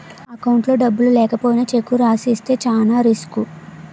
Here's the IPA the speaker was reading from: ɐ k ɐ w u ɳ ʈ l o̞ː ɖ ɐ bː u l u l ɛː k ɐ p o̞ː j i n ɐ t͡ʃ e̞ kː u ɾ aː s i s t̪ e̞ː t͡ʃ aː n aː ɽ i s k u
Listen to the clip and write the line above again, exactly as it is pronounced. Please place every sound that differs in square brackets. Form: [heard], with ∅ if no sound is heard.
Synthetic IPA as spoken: ɐ k ɐ w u ɳ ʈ l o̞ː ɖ ɐ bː u l u l ɛː k ɐ p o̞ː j i n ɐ t͡ʃ e̞ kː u ɾ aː s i s t̪ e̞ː t͡ʃ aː n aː [ɾ] i s k u